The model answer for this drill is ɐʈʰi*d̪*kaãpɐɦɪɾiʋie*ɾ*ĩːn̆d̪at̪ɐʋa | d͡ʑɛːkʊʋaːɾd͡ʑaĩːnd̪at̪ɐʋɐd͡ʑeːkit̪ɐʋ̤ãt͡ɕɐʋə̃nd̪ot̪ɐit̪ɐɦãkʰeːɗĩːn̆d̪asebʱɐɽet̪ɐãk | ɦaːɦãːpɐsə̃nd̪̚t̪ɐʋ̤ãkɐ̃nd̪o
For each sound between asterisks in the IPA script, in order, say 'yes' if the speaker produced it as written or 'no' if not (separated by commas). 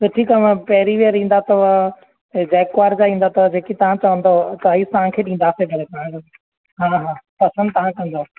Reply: no, yes